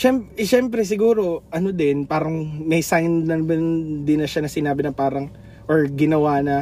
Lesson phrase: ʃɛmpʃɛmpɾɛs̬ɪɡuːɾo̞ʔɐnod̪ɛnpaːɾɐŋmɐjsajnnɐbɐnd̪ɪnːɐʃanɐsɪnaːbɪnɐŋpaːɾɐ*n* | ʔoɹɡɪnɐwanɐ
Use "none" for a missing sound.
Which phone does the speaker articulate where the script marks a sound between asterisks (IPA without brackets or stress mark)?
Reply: ŋ